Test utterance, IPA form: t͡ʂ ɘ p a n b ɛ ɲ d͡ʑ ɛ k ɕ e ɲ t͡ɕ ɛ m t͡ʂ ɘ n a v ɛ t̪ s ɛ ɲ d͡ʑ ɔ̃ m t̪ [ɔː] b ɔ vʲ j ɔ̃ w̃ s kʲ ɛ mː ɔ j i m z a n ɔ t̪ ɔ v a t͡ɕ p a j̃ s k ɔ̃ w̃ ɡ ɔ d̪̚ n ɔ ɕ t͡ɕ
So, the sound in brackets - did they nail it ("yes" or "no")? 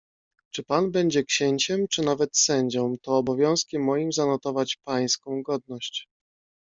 yes